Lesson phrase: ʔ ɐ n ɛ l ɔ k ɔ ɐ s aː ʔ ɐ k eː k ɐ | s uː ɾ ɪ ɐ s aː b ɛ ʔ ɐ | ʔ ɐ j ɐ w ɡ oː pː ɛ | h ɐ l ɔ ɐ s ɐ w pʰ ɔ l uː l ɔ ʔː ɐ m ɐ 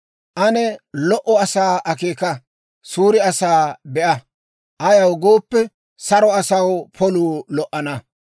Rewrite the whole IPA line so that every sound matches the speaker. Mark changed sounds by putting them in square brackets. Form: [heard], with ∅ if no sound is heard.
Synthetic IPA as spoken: ʔ ɐ n ɛ l ɔ [ʔ] ɔ ɐ s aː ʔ ɐ k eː k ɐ | s uː ɾ ɪ ɐ s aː b ɛ ʔ ɐ | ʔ ɐ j ɐ w ɡ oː pː ɛ | [s] ɐ [ɾ] ɔ ɐ s ɐ w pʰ ɔ l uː l ɔ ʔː ɐ [n] ɐ